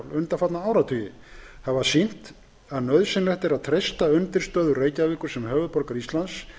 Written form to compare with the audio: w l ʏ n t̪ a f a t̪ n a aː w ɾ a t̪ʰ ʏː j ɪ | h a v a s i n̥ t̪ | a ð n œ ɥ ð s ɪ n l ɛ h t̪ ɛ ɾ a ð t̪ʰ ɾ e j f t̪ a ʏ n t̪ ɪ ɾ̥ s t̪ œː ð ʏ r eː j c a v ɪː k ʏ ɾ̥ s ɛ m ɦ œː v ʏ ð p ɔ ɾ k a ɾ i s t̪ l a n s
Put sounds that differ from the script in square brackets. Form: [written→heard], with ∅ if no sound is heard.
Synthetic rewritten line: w l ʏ n t̪ a f a t̪ n a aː w ɾ a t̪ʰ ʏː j ɪ | h a v a s i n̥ t̪ | a ð n œ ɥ ð s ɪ n l ɛ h t̪ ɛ ɾ a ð t̪ʰ ɾ e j [f→s] t̪ a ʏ n t̪ ɪ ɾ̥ s t̪ œː ð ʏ r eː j c a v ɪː k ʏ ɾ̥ s ɛ m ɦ œː v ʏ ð p ɔ ɾ k a ɾ i s t̪ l a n s

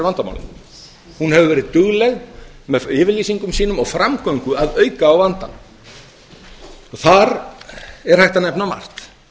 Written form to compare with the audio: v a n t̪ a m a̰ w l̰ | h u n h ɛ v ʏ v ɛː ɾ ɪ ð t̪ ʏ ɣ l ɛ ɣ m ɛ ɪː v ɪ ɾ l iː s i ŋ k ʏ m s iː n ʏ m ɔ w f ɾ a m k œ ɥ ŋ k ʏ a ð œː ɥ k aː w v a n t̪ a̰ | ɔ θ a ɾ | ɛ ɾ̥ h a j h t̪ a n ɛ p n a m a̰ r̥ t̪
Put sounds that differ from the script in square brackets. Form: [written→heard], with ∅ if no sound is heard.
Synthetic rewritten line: v a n t̪ a m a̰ w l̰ | h u n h ɛ v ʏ v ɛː ɾ ɪ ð t̪ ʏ ɣ l ɛ ɣ m ɛ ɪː v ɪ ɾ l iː s i ŋ k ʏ m s iː n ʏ m ɔ [w→ɣ] f ɾ a m k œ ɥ ŋ k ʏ a ð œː ɥ k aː w v a n t̪ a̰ | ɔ θ a ɾ | ɛ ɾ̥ h a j h t̪ a n ɛ p n a m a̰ r̥ t̪

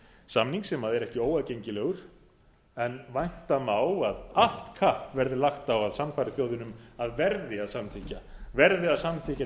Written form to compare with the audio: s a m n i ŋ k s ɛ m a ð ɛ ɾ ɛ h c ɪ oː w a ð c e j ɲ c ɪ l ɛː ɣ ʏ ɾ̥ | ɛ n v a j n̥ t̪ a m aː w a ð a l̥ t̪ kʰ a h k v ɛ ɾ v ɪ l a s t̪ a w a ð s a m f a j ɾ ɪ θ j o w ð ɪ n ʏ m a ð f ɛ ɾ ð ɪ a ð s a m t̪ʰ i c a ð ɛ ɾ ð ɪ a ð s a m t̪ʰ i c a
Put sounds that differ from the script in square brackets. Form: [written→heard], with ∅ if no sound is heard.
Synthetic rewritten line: s a m n i ŋ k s ɛ m a ð ɛ ɾ ɛ h c ɪ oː w a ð c e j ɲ c ɪ l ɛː ɣ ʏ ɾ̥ | ɛ n v a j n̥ t̪ a m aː w a ð a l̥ t̪ kʰ a h [k→p] v ɛ ɾ [v→ð] ɪ l a [s→x] t̪ a w a ð s a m f a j ɾ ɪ θ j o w ð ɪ n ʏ m a ð [f→v] ɛ ɾ ð ɪ a ð s a m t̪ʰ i c a [ð→v] ɛ ɾ ð ɪ a ð s a m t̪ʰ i c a

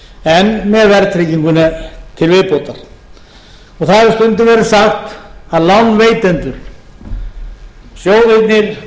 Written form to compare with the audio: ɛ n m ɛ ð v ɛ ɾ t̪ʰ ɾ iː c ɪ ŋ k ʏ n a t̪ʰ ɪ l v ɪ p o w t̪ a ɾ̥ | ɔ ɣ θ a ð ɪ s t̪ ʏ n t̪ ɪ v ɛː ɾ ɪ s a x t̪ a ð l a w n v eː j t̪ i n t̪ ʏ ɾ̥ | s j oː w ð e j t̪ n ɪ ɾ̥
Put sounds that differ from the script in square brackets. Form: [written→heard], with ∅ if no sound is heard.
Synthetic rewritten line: ɛ n m ɛ ð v ɛ ɾ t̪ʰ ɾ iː c [ɪ→i] ŋ k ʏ n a t̪ʰ ɪ l v ɪ p o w t̪ a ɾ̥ | ɔ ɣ θ a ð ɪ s t̪ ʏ n t̪ ɪ v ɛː ɾ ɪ s a x t̪ a ð l a w n v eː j t̪ [i→ɛ] n t̪ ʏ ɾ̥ | s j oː w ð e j t̪ n ɪ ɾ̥

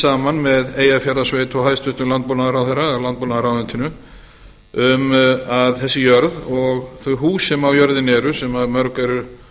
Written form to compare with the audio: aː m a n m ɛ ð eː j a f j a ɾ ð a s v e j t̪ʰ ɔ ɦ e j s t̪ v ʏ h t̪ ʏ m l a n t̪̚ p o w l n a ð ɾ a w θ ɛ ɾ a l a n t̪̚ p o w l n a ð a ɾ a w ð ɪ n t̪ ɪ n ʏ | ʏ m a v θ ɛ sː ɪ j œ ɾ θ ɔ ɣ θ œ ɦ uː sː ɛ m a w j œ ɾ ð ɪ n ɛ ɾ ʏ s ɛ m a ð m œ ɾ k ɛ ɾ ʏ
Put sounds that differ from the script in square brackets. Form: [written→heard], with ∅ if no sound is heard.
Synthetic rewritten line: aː m a n m ɛ ð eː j a f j a ɾ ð a s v e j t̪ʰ ɔ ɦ [e→a] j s t̪ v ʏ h t̪ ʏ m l a n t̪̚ p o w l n a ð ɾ a w θ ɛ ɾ a l a n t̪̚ p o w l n a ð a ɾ a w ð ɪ n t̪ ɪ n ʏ | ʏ m a [v→ð] θ ɛ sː ɪ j œ ɾ [θ→ð] ɔ ɣ θ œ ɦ uː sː ɛ m a w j œ ɾ ð ɪ n ɛ ɾ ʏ s ɛ m a ð m œ ɾ k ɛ ɾ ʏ

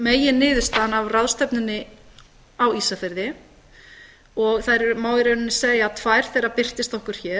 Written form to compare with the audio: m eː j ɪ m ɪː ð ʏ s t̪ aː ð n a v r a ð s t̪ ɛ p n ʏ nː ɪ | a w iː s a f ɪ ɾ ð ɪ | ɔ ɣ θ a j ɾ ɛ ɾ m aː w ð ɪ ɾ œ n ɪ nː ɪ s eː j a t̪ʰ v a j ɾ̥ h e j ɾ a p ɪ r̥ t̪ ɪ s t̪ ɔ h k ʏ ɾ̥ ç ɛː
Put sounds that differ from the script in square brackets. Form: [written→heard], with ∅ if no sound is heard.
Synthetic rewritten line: m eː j ɪ [m→n] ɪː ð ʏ s t̪ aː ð n a v r a ð s t̪ ɛ p n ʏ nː ɪ | a w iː s a f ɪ ɾ ð ɪ | ɔ ɣ θ a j ɾ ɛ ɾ m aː w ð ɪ ɾ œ n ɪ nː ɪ s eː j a t̪ʰ v a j ɾ̥ [h→θ] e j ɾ a p ɪ r̥ t̪ ɪ s t̪ ɔ h k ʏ ɾ̥ ç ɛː

